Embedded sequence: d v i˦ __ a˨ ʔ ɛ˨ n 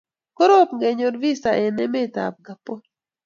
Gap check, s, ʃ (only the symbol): s